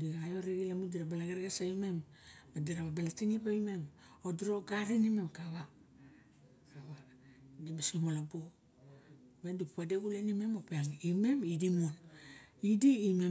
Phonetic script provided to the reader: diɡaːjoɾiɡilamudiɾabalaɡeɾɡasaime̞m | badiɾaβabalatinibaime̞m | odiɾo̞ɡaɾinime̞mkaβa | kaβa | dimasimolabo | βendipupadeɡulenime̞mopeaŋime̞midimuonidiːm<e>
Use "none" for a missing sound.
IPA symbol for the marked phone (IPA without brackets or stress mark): e